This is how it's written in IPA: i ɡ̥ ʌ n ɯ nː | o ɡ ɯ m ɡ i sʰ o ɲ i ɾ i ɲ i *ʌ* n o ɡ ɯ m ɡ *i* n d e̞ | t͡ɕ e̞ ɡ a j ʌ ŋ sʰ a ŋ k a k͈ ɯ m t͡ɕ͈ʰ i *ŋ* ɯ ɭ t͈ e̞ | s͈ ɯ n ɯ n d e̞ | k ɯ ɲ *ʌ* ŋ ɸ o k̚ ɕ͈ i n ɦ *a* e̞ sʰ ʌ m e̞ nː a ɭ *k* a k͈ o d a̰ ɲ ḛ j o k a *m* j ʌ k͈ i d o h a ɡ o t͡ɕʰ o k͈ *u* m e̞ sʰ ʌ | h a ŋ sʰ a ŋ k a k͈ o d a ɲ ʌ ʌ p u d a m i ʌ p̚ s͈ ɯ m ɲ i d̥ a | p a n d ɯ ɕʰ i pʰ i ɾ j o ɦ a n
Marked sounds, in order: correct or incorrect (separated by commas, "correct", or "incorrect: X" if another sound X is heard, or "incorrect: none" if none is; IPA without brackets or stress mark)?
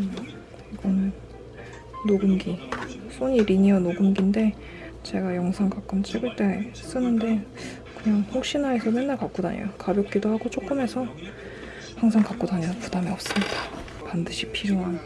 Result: correct, correct, incorrect: ɡ, incorrect: a, correct, correct, incorrect: b, incorrect: ɯ